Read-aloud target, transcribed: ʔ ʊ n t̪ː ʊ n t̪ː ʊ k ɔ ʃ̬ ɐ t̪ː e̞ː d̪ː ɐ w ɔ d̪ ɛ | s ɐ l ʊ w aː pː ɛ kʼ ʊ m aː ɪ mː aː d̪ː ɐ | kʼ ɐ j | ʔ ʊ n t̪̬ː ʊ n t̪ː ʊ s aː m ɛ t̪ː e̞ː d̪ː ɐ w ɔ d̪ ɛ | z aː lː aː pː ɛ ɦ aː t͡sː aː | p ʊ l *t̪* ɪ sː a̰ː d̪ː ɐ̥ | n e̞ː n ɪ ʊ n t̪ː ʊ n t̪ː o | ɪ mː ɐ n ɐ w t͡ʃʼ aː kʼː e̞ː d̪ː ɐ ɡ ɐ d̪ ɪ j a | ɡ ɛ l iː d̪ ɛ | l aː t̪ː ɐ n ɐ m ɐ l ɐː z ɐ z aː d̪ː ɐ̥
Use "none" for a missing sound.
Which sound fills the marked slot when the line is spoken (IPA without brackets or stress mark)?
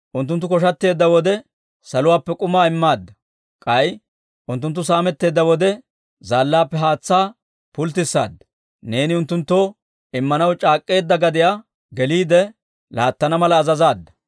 t̪